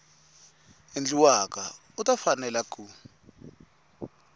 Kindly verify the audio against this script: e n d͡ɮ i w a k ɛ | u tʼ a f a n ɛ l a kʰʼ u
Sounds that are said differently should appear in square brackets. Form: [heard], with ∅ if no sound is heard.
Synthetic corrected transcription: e n d͡ɮ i w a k [a] | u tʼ a f a n ɛ l a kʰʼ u